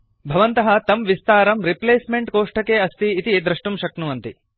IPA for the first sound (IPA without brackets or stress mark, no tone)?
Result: bʱ